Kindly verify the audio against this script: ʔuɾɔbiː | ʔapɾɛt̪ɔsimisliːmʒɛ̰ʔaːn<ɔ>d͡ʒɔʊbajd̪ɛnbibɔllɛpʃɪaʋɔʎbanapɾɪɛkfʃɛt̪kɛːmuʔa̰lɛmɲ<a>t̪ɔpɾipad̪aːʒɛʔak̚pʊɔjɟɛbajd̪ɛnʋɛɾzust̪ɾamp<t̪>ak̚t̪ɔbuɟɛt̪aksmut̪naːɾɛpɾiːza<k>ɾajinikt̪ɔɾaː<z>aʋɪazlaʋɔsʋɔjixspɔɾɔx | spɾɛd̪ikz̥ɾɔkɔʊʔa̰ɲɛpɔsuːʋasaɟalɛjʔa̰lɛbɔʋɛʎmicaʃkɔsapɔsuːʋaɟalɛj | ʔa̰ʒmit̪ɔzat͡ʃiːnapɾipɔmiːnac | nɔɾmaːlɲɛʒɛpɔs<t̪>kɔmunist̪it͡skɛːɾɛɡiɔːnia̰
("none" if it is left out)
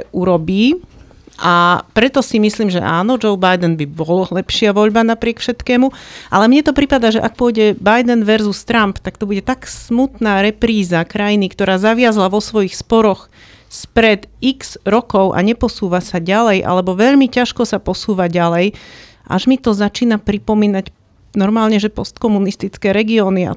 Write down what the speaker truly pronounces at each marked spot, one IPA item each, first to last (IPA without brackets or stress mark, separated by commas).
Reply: ɔ, ɛ, t̪, k, z, t̪